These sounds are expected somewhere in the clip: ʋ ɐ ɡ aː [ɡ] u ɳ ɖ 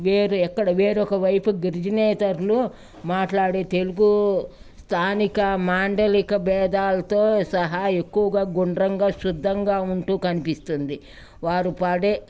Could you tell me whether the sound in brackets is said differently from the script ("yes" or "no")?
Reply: no